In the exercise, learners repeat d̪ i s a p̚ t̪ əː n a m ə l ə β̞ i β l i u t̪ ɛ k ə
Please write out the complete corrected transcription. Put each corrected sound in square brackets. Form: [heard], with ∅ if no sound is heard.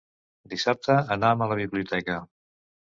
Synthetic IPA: d̪ i s a p̚ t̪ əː n a m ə l ə β̞ i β l i u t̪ ɛ k ə

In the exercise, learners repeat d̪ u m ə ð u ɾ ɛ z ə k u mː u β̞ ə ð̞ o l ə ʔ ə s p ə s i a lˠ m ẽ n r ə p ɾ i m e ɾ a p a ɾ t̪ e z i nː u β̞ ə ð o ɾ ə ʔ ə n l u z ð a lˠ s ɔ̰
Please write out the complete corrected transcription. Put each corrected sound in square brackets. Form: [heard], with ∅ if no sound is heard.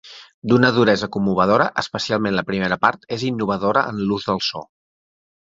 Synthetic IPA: d̪ u [n] ə ð u ɾ ɛ z ə k u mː u β̞ ə ð̞ o [ɾ] ə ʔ ə s p ə s i a lˠ m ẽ n [l] ə p ɾ i m e ɾ [ə] p a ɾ t̪ e z i nː u β̞ ə ð o ɾ ə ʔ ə n l u z ð [ə] lˠ s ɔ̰

